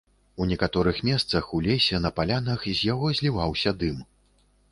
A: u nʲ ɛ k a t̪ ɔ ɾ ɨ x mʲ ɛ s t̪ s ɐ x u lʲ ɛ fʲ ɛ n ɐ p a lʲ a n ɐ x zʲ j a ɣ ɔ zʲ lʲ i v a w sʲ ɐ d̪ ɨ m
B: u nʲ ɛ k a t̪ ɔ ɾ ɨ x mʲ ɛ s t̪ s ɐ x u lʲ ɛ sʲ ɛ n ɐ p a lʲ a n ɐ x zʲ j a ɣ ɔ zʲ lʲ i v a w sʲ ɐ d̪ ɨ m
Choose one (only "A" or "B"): B